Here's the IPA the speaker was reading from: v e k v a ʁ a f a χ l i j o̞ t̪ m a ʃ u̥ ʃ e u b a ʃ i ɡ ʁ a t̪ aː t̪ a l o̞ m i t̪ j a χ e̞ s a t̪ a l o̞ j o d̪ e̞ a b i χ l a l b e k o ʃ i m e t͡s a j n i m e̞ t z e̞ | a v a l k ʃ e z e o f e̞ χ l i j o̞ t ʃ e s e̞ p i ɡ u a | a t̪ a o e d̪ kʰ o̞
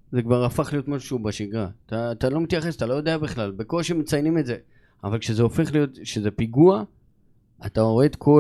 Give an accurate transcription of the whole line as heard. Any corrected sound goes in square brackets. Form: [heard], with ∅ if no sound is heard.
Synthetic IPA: [z] e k v a ʁ a f a χ l i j o̞ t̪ m a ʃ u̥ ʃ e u b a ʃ i ɡ ʁ a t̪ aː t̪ a l o̞ m i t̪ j a χ e̞ s a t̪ a l o̞ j o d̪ e̞ a b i χ l a l b e k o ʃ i m e t͡s a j n i m e̞ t z e̞ | a v a l k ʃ e z e o f e̞ χ l i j o̞ t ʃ e [z] e̞ p i ɡ u a | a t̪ a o e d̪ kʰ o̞